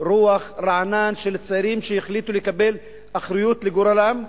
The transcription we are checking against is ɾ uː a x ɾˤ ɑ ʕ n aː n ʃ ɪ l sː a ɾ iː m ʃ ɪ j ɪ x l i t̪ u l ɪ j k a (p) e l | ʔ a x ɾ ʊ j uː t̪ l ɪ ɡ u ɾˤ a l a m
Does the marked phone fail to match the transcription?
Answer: yes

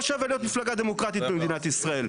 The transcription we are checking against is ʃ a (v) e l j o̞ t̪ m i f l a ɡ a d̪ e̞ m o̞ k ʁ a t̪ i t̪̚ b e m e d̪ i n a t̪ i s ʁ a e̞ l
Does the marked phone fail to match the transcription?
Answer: no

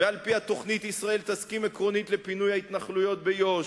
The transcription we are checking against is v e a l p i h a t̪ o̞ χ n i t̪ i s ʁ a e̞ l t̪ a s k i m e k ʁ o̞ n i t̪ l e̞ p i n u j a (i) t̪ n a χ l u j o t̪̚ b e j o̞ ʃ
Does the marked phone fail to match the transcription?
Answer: no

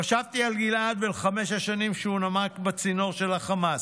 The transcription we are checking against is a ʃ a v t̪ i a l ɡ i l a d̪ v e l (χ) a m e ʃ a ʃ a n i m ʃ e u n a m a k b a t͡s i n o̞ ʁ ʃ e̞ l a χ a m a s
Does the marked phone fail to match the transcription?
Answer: no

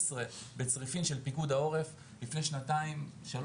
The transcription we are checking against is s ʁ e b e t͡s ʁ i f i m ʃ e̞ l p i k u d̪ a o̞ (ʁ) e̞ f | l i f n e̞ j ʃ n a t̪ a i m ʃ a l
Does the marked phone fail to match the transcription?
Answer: no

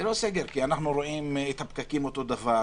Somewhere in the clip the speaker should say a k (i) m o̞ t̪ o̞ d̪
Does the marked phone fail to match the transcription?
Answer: no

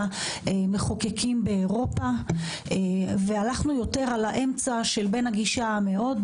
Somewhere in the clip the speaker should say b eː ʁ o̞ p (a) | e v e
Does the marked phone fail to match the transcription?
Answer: no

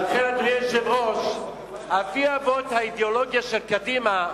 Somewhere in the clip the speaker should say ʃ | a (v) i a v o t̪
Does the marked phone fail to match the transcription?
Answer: yes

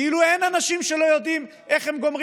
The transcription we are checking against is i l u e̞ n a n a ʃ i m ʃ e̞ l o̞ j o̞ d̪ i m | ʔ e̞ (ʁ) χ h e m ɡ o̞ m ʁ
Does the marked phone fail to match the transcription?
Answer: yes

